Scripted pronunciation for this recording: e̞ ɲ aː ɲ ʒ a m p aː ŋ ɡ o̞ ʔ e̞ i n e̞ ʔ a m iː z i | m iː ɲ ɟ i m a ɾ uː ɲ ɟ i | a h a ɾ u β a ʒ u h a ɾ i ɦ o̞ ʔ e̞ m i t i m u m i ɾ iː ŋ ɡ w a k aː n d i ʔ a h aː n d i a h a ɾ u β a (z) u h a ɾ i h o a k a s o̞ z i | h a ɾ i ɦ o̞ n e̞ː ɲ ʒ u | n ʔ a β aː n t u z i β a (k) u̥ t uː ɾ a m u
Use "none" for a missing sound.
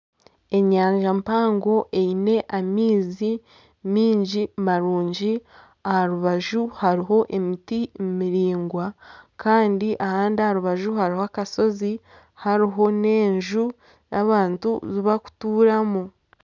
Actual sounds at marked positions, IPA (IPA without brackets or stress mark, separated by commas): ʒ, k